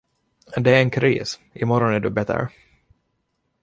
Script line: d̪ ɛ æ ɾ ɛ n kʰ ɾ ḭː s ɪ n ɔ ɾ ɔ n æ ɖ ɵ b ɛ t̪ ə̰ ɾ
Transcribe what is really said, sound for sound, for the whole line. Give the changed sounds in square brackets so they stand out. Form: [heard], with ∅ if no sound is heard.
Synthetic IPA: d̪ ɛ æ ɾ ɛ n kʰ ɾ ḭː s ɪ [m] ɔ ɾ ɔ n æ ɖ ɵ b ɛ t̪ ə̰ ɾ